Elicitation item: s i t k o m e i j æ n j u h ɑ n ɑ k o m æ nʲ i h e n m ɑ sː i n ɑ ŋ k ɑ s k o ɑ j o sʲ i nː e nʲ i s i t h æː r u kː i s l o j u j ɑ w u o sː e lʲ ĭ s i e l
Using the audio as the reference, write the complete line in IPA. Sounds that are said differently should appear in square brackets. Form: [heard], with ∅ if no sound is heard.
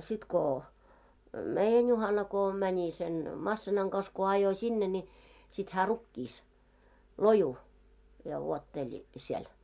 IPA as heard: s i t k o m e i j æ n j u h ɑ n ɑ k o m æ nʲ i [s] e n m ɑ sː i n ɑ ŋ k ɑ s k o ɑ j o sʲ i nː e nʲ i s i t h æː r u kː [iː] s l o j u j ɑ w u o [tː] e lʲ ĭ s i e l